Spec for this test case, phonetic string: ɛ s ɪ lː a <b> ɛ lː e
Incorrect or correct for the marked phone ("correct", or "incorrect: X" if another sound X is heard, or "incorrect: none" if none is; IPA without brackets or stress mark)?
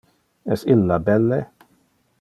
correct